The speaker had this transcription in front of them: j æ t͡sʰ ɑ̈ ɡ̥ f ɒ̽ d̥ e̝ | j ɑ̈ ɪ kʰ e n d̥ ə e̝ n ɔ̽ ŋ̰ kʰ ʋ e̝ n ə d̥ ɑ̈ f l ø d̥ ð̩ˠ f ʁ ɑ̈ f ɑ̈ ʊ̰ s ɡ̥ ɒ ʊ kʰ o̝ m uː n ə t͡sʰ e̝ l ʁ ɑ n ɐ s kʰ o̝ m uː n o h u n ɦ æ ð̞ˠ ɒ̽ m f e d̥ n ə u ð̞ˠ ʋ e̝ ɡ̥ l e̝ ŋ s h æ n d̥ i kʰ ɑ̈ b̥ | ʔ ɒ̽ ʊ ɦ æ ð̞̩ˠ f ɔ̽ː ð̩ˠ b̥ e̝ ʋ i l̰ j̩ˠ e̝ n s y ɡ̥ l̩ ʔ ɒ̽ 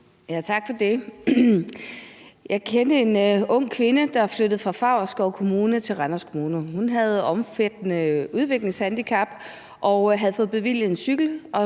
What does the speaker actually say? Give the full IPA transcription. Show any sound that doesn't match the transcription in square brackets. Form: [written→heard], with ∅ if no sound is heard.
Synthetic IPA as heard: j æ t͡sʰ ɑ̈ ɡ̥ f ɒ̽ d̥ e̝ | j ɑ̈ ɪ kʰ e n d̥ ə e̝ n ɔ̽ ŋ̰ kʰ ʋ e̝ n ə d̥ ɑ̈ f l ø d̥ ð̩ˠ f ʁ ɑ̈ f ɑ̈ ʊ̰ s ɡ̥ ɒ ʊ kʰ o̝ m uː n ə t͡sʰ e̝ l ʁ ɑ n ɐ s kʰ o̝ m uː n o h u n ɦ æ ð̞ˠ ɒ̽ m f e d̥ n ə u ð̞ˠ ʋ e̝ ɡ̥ l e̝ ŋ s h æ n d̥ i kʰ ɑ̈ b̥ | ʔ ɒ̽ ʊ ɦ æ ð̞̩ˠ f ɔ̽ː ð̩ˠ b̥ e̝ ʋ i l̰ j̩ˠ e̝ n s y ɡ̥ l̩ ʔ ɒ̽

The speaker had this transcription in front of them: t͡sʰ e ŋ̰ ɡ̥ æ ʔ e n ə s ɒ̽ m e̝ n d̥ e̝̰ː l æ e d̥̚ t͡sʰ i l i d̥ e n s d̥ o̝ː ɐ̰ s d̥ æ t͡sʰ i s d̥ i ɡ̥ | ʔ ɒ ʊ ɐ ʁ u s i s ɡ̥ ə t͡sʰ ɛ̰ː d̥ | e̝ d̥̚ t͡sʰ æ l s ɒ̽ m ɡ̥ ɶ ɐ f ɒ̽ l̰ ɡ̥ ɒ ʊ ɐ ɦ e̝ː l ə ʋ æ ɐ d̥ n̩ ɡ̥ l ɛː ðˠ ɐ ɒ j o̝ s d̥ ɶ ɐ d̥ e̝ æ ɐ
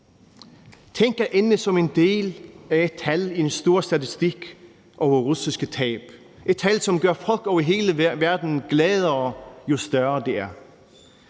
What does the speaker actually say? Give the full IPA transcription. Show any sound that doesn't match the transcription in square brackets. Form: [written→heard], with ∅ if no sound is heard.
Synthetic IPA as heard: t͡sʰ e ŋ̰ ɡ̥ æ ʔ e n ə s ɒ̽ m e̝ n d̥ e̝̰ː l æ e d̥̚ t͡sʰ [i→æ] l i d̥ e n s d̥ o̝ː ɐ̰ s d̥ æ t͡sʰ i s d̥ i ɡ̥ | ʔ ɒ ʊ ɐ ʁ u s i s ɡ̥ ə t͡sʰ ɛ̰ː [d̥→b̥] | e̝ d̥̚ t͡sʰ æ l s ɒ̽ m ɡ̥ ɶ ɐ f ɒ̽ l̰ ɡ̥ ɒ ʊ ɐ ɦ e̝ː l ə ʋ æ ɐ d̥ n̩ ɡ̥ l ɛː ðˠ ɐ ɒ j o̝ s d̥ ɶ ɐ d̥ e̝ æ ɐ

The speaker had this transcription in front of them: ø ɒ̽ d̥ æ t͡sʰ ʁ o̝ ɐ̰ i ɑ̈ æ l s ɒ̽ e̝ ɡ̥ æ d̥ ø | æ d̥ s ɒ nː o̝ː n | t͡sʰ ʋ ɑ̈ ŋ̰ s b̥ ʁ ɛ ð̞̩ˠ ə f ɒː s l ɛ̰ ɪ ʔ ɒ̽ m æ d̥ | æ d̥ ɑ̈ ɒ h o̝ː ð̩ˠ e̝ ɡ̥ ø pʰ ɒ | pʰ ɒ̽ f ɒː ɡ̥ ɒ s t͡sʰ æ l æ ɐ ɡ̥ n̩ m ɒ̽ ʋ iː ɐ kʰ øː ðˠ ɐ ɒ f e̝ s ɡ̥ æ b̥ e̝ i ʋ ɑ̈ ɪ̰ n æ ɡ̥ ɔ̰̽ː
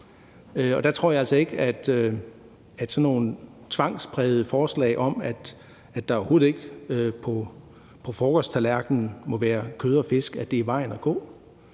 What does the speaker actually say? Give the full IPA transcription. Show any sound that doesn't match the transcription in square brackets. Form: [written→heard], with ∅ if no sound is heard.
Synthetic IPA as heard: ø ɒ̽ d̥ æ t͡sʰ ʁ o̝ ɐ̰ [i→j] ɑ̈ æ l s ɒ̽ e̝ ɡ̥ æ d̥ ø | æ d̥ s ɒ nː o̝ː n | t͡sʰ ʋ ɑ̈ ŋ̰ s b̥ ʁ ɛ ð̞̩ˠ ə f ɒː s l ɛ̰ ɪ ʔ ɒ̽ m æ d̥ | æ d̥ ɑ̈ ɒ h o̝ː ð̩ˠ e̝ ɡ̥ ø pʰ ɒ | pʰ ɒ̽ f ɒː ɡ̥ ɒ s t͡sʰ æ l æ ɐ ɡ̥ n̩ m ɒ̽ ʋ [iː→æː] ɐ kʰ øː ðˠ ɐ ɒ f e̝ s ɡ̥ æ [b̥→d̥] e̝ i ʋ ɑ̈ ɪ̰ n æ ɡ̥ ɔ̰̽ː

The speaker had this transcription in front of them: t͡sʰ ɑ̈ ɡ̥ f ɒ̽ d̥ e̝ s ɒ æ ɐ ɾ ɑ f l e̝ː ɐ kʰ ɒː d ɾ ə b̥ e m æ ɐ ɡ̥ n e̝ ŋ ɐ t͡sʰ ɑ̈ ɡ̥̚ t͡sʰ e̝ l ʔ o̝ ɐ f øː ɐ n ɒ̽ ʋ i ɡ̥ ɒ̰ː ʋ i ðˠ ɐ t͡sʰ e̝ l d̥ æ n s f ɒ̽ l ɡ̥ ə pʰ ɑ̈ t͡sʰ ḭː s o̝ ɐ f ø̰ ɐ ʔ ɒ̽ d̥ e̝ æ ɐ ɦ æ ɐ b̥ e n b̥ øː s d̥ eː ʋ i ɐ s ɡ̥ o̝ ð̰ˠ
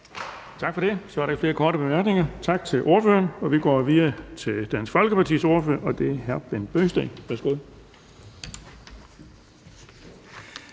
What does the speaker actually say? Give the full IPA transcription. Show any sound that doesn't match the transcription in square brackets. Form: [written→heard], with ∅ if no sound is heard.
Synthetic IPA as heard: t͡sʰ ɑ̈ ɡ̥ f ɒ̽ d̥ e̝ s ɒ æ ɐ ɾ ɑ f l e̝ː ɐ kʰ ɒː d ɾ ə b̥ e m æ ɐ ɡ̥ n e̝ ŋ ɐ t͡sʰ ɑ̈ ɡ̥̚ t͡sʰ e̝ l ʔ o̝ ɐ f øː ɐ n ɒ̽ ʋ i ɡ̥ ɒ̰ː ʋ i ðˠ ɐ t͡sʰ e̝ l d̥ æ n s f ɒ̽ l ɡ̥ ə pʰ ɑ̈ t͡sʰ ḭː s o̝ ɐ f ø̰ ɐ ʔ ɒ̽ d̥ e̝ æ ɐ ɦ æ ɐ b̥ e n b̥ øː s d̥ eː ʋ [i→æ] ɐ s ɡ̥ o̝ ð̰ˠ

